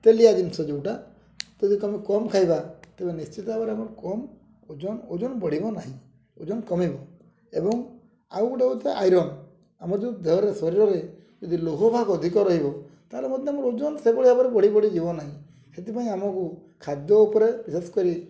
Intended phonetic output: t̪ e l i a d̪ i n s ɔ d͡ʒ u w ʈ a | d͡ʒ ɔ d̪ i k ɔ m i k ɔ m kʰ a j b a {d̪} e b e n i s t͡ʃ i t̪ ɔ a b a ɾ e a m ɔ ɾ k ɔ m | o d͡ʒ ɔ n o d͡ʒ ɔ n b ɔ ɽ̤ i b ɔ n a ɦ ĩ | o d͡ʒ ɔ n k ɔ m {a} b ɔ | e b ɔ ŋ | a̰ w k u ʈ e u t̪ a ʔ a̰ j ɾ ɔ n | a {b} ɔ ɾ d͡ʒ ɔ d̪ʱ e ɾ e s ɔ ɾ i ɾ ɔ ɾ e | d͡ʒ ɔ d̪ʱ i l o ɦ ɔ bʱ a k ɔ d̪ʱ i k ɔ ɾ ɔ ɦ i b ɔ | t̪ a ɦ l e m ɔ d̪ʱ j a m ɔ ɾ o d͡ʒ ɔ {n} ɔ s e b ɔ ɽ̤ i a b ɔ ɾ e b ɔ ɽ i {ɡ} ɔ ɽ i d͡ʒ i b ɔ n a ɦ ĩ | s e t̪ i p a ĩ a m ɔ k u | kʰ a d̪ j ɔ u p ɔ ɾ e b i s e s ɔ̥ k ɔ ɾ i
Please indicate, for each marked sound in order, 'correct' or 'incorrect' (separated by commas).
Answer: incorrect, incorrect, incorrect, correct, incorrect